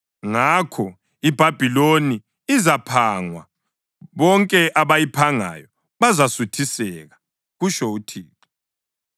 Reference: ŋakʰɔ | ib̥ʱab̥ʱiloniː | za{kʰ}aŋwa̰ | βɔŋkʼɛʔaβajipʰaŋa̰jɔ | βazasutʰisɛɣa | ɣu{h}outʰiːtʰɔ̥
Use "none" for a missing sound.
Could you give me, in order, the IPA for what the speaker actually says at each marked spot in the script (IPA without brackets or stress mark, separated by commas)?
pʰ, ʃ